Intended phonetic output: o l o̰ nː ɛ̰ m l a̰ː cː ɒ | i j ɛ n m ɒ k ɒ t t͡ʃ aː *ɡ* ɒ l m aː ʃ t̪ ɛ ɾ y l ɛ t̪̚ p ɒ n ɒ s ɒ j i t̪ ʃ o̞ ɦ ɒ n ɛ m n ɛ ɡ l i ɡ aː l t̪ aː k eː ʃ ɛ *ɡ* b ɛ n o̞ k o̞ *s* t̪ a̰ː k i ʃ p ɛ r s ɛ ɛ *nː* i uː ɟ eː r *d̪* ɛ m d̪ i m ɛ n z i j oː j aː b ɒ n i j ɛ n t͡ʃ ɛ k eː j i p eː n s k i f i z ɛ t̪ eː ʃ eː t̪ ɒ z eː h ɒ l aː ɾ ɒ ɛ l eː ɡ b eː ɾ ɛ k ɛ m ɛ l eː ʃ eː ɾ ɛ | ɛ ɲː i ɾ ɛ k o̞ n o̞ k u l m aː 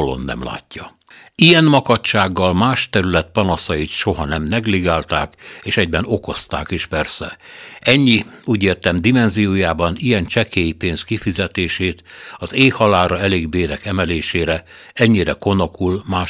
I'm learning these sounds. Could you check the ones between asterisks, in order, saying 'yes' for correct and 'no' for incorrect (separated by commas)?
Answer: no, no, yes, no, no